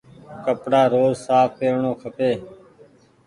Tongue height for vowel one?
mid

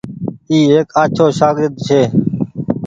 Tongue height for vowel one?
high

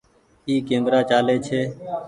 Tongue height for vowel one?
high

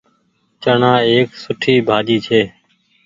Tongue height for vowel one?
mid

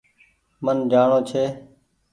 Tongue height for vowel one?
mid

